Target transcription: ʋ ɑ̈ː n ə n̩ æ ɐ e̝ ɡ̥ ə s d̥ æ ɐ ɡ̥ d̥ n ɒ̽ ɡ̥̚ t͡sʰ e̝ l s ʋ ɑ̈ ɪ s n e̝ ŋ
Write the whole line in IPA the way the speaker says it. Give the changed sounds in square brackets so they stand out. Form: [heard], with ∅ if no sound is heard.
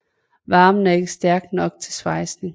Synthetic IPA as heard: ʋ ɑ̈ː [m] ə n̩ æ ɐ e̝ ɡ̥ ə s d̥ æ ɐ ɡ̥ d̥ n ɒ̽ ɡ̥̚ t͡sʰ e̝ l s ʋ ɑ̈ ɪ s n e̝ ŋ